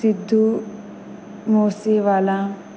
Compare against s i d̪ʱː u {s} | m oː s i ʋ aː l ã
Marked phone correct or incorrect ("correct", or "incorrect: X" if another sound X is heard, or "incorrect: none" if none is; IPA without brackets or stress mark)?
incorrect: none